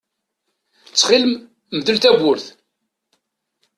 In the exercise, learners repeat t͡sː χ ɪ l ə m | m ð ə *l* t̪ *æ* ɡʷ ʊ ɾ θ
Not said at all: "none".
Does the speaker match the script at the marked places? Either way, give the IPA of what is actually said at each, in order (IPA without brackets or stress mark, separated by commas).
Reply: l, æ